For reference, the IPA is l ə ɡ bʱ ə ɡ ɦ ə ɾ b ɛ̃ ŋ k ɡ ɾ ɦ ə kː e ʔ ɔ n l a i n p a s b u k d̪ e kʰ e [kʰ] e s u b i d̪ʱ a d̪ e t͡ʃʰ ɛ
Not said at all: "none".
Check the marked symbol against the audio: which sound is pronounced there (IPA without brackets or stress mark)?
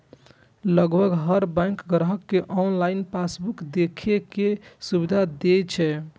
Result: k